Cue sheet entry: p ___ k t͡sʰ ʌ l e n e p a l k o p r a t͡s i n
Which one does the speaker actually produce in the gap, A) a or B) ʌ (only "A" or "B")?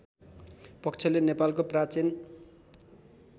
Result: B